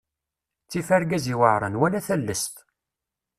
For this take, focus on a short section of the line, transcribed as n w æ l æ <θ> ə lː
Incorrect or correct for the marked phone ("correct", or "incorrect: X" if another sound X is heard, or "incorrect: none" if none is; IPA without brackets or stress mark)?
correct